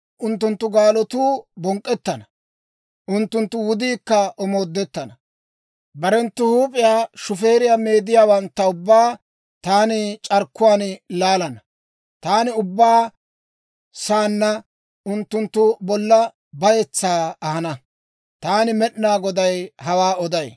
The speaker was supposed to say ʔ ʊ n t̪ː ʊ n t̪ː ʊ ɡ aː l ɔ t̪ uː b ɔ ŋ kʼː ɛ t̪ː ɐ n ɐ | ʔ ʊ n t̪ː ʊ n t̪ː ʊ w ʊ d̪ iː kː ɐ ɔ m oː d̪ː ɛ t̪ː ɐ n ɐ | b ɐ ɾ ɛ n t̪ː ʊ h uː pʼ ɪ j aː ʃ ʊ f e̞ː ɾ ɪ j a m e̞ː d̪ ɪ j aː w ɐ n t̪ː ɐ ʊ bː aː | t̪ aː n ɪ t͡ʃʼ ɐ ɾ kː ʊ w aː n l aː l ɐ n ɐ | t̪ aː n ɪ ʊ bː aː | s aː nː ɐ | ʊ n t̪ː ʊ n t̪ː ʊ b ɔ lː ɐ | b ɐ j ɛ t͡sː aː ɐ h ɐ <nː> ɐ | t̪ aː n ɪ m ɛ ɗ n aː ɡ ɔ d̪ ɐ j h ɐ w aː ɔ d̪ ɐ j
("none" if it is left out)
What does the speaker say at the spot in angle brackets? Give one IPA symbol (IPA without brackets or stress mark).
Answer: n